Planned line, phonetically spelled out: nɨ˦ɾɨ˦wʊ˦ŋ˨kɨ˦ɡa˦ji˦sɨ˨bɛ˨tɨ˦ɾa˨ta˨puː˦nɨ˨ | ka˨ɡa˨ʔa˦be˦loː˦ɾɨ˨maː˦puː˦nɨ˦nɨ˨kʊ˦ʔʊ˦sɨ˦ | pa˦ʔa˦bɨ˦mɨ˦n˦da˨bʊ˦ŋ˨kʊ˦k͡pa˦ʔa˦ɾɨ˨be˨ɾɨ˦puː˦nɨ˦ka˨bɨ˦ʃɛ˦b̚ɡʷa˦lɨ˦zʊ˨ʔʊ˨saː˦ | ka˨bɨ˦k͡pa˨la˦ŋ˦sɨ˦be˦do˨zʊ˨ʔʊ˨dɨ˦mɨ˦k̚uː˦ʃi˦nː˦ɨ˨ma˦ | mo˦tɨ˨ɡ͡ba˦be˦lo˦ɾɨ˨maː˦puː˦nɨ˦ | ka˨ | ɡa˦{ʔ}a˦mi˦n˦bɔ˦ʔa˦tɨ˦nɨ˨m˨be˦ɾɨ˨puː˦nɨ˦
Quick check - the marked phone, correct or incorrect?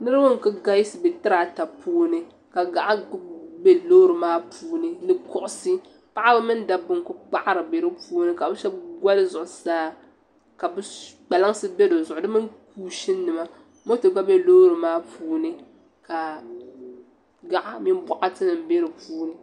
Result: correct